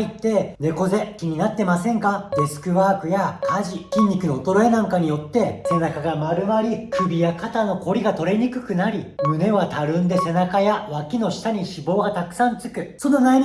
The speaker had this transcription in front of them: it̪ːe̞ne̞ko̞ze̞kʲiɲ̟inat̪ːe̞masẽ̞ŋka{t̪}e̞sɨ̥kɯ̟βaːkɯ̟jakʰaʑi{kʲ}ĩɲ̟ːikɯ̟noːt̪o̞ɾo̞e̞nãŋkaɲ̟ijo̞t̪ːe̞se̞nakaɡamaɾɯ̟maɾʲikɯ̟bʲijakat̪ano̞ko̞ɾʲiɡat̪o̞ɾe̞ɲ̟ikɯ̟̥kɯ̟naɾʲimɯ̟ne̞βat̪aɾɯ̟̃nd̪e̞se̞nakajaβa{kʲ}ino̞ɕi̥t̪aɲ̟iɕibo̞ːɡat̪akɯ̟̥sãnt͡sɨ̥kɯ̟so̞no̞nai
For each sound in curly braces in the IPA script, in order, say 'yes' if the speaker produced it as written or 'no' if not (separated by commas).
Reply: no, yes, yes